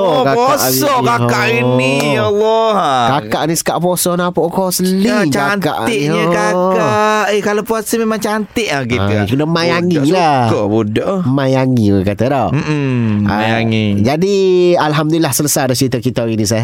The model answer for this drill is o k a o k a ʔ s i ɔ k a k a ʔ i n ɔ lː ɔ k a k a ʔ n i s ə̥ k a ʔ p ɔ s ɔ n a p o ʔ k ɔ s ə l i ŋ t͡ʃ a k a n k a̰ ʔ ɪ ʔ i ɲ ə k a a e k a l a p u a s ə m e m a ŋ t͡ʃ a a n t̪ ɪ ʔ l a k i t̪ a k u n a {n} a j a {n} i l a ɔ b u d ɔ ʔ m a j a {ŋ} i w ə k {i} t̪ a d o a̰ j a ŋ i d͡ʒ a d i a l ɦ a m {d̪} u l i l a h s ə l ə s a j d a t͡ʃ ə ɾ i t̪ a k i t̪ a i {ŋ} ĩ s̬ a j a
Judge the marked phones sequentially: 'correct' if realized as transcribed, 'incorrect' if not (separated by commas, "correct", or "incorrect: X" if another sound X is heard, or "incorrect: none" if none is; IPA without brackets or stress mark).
incorrect: m, incorrect: ŋ, correct, incorrect: a, correct, incorrect: n